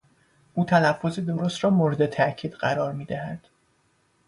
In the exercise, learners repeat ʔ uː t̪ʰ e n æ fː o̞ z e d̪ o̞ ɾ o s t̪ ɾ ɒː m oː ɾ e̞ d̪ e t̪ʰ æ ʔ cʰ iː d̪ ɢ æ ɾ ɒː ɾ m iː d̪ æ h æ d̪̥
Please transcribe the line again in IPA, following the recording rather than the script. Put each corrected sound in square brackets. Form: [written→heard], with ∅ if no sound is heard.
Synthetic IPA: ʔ uː t̪ʰ [e→æ] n æ fː o̞ z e d̪ o̞ ɾ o s t̪ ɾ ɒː m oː ɾ e̞ d̪ e t̪ʰ æ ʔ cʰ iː d̪ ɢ æ ɾ ɒː ɾ m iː d̪ æ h æ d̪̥